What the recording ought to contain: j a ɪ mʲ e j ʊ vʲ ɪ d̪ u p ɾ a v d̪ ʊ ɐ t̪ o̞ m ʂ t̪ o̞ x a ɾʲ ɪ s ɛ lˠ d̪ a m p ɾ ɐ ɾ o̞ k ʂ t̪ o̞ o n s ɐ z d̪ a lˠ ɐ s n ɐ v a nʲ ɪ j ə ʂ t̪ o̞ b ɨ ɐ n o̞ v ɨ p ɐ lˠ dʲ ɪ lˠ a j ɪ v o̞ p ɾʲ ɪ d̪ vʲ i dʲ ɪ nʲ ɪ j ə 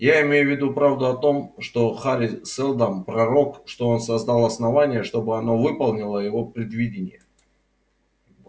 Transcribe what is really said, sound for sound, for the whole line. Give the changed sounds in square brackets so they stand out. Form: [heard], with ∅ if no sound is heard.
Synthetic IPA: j a ɪ mʲ e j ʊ vʲ ɪ d̪ u p ɾ a v d̪ ʊ ɐ t̪ o̞ m ʂ t̪ o̞ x a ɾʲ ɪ s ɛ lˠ d̪ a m p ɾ ɐ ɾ o̞ k ʂ t̪ o̞ o n s ɐ z d̪ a lˠ ɐ s n ɐ v a nʲ ɪ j ə ʂ t̪ o̞ b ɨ ɐ n o̞ v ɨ p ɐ lˠ [nʲ] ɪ lˠ [ə] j ɪ v o̞ p ɾʲ ɪ d̪ vʲ i dʲ ɪ nʲ ɪ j ə